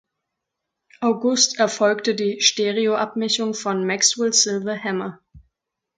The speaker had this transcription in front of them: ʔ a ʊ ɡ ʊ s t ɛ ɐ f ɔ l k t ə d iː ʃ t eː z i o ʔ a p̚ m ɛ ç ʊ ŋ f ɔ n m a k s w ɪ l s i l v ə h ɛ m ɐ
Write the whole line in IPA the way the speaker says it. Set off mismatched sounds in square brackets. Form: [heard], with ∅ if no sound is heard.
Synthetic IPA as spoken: ʔ a ʊ ɡ ʊ s t ɛ ɐ f ɔ l k t ə d iː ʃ t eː [ʁ] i o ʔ a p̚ m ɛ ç ʊ ŋ f ɔ n m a k s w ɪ l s [ɪ] l v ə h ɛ m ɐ